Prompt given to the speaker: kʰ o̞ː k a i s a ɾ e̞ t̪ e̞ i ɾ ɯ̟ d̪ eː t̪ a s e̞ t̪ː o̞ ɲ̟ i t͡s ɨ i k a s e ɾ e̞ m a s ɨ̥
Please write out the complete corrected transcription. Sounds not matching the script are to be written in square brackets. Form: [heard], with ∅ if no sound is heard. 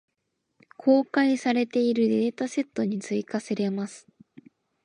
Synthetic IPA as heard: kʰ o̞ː k a i s a ɾ e̞ t̪ e̞ i ɾ ɯ̟ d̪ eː t̪ a s e̞ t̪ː o̞ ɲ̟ i t͡s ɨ i k a s e ɾ e̞ m a s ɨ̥